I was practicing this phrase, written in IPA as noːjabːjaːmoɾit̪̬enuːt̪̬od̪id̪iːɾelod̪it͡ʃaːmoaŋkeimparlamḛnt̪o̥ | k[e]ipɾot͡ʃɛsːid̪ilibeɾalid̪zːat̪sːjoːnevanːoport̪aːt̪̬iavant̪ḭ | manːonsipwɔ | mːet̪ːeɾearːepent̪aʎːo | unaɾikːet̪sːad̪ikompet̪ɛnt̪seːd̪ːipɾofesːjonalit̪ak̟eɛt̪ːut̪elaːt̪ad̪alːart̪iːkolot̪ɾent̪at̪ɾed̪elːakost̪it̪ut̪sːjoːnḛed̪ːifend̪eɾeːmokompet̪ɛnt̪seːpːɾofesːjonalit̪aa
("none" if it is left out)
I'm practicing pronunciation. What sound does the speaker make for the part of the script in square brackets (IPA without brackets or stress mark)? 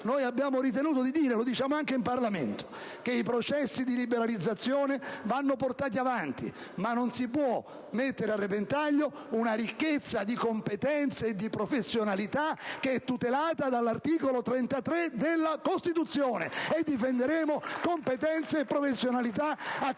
e